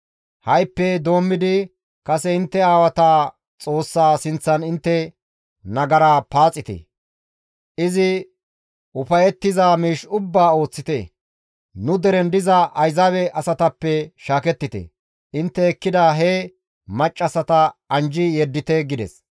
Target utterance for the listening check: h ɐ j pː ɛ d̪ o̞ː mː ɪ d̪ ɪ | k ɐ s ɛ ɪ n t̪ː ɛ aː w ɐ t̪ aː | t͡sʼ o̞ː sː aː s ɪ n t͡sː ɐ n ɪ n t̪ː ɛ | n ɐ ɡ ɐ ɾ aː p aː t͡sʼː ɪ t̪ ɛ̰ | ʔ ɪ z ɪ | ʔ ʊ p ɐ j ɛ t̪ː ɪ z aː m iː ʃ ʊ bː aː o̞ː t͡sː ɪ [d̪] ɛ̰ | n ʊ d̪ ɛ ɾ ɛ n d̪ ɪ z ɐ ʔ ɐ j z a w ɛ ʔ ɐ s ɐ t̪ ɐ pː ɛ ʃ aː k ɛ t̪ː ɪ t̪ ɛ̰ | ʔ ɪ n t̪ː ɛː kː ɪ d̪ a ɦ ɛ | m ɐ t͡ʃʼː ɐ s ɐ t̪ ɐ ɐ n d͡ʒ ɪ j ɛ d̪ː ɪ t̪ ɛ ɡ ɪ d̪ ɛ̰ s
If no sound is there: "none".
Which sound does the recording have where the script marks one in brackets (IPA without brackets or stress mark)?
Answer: t̪